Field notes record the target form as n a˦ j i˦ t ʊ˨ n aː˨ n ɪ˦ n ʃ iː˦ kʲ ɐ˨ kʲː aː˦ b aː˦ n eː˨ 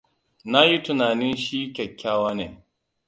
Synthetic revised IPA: n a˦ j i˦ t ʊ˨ n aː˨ n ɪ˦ n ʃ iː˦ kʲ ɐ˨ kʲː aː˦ w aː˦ n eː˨